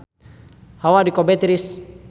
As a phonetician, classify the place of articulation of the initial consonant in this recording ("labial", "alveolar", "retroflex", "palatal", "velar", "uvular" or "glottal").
glottal